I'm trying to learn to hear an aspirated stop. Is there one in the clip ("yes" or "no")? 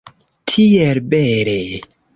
yes